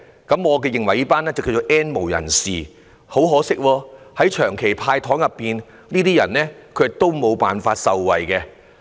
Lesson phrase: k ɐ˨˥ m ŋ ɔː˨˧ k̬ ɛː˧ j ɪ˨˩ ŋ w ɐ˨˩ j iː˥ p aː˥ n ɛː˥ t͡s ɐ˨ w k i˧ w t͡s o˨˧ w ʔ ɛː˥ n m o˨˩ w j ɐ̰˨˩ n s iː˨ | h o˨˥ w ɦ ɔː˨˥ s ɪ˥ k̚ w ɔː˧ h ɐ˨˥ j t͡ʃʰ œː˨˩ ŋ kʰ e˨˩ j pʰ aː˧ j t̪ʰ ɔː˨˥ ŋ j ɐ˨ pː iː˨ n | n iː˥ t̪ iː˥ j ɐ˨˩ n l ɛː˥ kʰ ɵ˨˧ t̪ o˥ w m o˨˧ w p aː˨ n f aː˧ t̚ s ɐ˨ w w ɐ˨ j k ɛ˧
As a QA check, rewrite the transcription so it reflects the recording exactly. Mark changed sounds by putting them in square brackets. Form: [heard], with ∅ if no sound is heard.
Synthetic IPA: k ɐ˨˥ m ŋ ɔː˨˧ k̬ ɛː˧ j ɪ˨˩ ŋ w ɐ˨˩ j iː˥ p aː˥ n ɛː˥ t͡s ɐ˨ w k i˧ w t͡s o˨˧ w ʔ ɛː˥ n m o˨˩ w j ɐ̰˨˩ n s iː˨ | h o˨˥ w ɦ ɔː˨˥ s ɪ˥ k̚ w ɔː˧ h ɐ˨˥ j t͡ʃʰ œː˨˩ ŋ kʰ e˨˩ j pʰ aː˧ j t̪ʰ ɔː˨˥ ŋ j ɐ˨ pː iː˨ n | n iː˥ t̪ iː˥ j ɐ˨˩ n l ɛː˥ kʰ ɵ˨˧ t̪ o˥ w m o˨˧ w p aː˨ n f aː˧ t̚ s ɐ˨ w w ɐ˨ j k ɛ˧

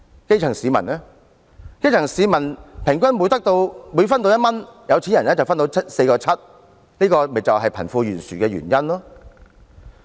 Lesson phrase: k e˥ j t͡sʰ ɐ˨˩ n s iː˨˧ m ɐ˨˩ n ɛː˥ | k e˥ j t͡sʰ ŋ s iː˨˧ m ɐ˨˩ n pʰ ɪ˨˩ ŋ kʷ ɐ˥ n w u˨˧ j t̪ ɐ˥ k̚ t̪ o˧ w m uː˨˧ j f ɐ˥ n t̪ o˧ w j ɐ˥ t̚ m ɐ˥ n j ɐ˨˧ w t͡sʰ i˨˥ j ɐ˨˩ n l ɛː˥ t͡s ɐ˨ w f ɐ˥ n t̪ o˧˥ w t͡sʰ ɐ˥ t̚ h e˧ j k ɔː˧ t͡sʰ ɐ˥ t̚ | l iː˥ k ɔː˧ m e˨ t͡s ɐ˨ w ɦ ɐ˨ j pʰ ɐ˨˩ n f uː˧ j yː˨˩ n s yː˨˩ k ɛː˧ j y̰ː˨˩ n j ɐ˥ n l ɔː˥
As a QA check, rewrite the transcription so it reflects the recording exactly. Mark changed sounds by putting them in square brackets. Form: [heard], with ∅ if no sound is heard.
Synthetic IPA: k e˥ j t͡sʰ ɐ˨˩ [ŋ] s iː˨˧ m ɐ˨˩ n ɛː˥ | k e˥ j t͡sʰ ŋ s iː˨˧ m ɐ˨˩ n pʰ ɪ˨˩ ŋ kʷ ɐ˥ n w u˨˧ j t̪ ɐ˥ k̚ t̪ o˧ w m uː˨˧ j f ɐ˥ n t̪ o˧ w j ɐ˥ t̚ m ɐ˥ n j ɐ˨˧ w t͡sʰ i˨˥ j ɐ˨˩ n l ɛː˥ t͡s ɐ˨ w f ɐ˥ n t̪ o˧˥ w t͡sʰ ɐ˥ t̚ [s] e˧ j k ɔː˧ t͡sʰ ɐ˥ t̚ | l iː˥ k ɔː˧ m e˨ t͡s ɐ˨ w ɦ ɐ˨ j pʰ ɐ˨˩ n f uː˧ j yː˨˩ n s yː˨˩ k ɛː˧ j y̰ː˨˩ n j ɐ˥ n l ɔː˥

